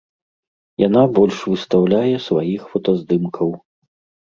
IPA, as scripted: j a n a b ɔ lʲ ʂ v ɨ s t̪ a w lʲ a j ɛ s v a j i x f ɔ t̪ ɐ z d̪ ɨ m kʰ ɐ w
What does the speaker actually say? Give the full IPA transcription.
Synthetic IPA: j a n a b ɔ lʲ ʂ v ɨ s t̪ a w lʲ a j ɛ s v a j i x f ɔ t̪ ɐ z d̪ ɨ m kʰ ɐ w